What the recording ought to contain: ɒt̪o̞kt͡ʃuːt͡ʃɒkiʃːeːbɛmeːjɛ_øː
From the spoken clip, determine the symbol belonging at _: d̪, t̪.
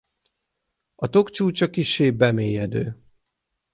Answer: d̪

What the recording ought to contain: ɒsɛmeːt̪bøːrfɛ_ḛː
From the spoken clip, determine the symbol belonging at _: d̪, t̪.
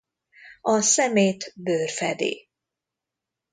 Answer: d̪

